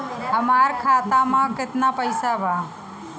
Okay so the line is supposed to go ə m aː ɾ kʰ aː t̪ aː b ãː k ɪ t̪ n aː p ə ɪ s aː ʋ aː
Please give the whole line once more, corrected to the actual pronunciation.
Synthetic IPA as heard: ə m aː ɾ kʰ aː t̪ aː m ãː k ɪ t̪ n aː p ə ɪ s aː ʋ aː